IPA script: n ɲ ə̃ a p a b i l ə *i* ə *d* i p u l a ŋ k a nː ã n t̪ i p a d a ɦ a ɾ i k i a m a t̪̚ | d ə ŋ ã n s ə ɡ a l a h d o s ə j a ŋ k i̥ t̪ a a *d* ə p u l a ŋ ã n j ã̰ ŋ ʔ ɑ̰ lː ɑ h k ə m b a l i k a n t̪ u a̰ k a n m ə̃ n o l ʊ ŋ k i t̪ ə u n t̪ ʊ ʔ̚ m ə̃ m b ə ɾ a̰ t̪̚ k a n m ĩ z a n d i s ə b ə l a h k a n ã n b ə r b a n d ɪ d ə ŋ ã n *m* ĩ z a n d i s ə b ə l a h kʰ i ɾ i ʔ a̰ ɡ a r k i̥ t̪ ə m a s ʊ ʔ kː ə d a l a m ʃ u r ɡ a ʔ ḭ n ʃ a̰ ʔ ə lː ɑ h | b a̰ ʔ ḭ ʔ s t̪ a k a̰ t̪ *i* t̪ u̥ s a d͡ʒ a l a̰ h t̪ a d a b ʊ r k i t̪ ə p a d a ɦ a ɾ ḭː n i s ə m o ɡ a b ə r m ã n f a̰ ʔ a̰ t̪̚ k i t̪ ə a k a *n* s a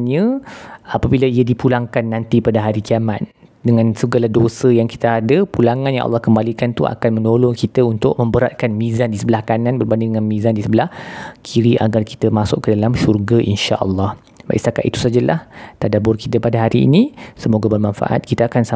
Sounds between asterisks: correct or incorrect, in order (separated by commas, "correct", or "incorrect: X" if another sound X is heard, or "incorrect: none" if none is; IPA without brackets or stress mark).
correct, correct, correct, correct, correct, correct